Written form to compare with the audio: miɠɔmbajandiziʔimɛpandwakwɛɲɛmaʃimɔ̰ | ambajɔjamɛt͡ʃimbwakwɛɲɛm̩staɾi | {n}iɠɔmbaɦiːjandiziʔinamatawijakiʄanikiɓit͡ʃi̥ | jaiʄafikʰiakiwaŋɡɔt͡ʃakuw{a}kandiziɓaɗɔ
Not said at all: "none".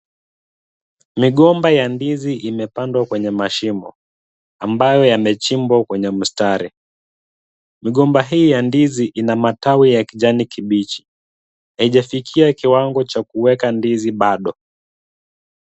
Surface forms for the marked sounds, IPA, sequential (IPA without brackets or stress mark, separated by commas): m, ɛ